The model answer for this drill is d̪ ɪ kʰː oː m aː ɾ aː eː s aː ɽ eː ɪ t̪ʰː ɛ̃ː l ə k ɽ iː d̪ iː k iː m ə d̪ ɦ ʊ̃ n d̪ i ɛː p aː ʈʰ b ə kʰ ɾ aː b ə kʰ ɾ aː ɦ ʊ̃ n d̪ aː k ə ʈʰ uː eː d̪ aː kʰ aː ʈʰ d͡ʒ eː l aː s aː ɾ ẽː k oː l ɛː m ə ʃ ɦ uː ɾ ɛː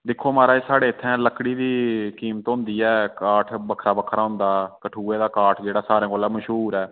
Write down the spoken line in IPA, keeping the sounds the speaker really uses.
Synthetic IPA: d̪ ɪ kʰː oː m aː ɾ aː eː s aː ɽ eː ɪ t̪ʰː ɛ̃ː l ə k ɽ iː d̪ iː k iː m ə t̪ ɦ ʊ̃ n d̪ iː ɛː k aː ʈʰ b ə kʰ ɾ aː b ə kʰ ɾ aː ɦ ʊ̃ n d̪ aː k ə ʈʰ uː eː d̪ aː k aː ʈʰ d͡ʒ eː ɽ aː s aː ɾ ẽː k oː l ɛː m ə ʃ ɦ uː ɾ ɛː